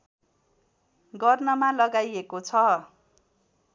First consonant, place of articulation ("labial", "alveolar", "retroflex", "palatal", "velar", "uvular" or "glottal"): velar